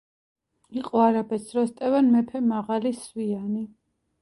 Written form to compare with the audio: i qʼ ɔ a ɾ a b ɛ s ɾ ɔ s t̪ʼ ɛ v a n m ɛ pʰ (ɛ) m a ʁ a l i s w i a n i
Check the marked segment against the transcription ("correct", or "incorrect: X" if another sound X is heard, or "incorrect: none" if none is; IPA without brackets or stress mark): correct